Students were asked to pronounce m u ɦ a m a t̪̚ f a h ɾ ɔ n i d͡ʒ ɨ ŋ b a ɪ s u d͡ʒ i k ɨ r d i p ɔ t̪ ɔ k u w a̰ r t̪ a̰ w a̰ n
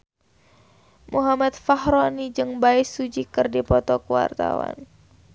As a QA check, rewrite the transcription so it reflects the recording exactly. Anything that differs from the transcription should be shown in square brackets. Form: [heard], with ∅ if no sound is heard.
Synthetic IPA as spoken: m u ɦ a m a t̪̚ f a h ɾ ɔ n i d͡ʒ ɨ ŋ b a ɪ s u d͡ʒ i k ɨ r d i p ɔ t̪ ɔ k u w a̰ r t̪ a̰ w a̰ n